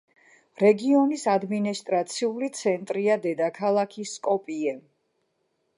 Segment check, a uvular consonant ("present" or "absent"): absent